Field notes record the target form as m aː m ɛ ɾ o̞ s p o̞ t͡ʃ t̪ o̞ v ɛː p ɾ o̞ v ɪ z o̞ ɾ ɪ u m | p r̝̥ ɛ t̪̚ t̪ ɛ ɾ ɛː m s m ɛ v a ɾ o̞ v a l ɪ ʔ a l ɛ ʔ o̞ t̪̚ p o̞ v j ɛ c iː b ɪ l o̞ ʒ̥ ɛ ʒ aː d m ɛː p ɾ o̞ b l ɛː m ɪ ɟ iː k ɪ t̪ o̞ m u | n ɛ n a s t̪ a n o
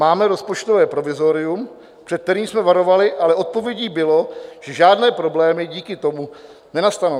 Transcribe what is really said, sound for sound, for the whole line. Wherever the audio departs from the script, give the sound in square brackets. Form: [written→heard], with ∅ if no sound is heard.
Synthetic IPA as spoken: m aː m ɛ ɾ o̞ s p o̞ t͡ʃ t̪ o̞ v ɛː p ɾ o̞ v ɪ z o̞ ɾ ɪ u m | p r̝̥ ɛ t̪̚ t̪ ɛ ɾ [ɛː→iː] m s m ɛ v a ɾ o̞ v a l ɪ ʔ a l ɛ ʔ o̞ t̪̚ p o̞ v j ɛ [c→ɟ] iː b ɪ l o̞ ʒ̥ ɛ ʒ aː d [m→n] ɛː p ɾ o̞ b l ɛː m ɪ ɟ iː k ɪ t̪ o̞ m u | n ɛ n a s t̪ a n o

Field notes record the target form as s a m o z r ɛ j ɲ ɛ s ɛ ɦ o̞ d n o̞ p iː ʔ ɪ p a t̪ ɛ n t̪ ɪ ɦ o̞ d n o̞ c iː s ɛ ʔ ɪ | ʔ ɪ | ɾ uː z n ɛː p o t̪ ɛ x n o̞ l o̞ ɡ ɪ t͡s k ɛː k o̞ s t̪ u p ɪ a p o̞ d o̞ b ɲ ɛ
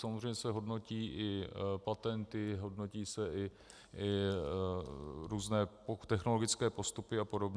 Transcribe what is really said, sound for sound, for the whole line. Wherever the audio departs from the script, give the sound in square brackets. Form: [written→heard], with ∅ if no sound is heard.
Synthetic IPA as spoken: s a m o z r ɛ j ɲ ɛ s ɛ ɦ o̞ d n o̞ [p→c] iː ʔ ɪ p a t̪ ɛ n t̪ ɪ ɦ o̞ d n o̞ c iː s ɛ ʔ ɪ | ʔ ɪ | ɾ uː z n ɛː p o t̪ ɛ x n o̞ l o̞ ɡ ɪ t͡s k ɛː [k→p] o̞ s t̪ u p ɪ a p o̞ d o̞ b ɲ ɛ

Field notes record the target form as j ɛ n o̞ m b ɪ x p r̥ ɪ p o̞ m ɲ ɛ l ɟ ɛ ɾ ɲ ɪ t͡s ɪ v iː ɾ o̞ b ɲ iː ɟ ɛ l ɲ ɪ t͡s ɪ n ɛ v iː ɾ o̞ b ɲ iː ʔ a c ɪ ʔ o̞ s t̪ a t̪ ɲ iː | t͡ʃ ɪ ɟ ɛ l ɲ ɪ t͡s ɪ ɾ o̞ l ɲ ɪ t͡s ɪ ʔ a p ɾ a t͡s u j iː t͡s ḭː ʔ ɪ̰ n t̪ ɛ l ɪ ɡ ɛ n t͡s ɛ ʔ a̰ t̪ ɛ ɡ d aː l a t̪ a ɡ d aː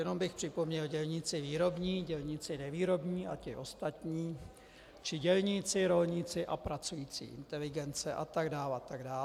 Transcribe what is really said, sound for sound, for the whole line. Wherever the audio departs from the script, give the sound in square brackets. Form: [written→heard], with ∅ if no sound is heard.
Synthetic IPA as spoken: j ɛ n o̞ m b ɪ x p r̥ ɪ p o̞ m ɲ ɛ l ɟ ɛ [ɾ→l] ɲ ɪ t͡s ɪ v iː ɾ o̞ b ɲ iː ɟ ɛ l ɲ ɪ t͡s ɪ n ɛ v iː ɾ o̞ b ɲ iː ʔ a c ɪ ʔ o̞ s t̪ a t̪ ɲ iː | t͡ʃ ɪ ɟ ɛ l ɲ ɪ t͡s ɪ ɾ o̞ l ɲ ɪ t͡s ɪ ʔ a p ɾ a t͡s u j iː t͡s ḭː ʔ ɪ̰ n t̪ ɛ l ɪ ɡ ɛ n t͡s ɛ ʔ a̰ t̪ [ɛ→a] ɡ d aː l a t̪ a ɡ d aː

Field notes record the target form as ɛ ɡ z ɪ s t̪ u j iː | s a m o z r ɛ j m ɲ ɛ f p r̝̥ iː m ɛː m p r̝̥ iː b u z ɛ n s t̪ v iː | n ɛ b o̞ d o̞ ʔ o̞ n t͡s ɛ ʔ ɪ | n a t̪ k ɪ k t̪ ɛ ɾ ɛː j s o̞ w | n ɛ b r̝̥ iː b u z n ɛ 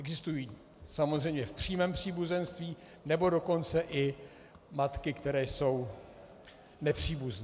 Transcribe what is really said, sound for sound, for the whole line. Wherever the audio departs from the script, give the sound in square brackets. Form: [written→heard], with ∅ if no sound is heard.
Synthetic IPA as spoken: ɛ ɡ z ɪ s t̪ u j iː | s a m o z r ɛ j m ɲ ɛ f p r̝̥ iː m ɛː m p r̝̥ iː b u z ɛ n s t̪ v iː | n ɛ b o̞ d o̞ [ʔ→k] o̞ n t͡s ɛ ʔ ɪ | [n→m] a t̪ k ɪ k t̪ ɛ ɾ ɛː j s o̞ w | n ɛ [b→p] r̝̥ iː b u z n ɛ

